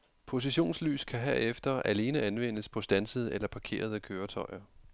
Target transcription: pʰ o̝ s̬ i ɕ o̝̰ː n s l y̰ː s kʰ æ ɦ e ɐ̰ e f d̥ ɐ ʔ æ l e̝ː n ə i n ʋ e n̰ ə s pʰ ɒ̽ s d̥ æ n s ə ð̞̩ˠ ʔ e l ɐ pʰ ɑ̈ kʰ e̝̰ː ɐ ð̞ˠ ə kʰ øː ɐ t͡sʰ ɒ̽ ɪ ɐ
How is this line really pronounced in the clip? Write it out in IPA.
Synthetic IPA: pʰ o̝ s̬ i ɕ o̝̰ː n s l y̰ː s kʰ æ ɦ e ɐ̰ e f d̥ ɐ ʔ æ l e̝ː n ə æ n ʋ e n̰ ə s pʰ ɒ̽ s d̥ æ n s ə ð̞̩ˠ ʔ e l ɐ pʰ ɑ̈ kʰ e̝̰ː ɐ ð̞ˠ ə kʰ øː ɐ t͡sʰ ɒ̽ ɪ ɐ